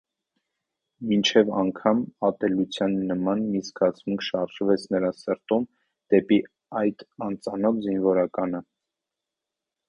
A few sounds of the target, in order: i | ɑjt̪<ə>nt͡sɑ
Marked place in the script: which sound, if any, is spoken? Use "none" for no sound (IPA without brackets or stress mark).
ɑ